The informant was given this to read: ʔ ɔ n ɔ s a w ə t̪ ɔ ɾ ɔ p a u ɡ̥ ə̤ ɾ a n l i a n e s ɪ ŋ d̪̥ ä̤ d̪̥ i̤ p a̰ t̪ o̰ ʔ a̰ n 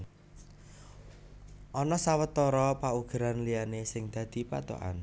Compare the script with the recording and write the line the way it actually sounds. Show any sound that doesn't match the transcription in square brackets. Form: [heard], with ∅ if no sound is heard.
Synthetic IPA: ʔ ɔ n ɔ s a w ə t̪ ɔ ɾ ɔ p a u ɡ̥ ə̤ ɾ a n l i a n e s ɪ ŋ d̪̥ ä̤ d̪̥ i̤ p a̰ t̪ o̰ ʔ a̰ n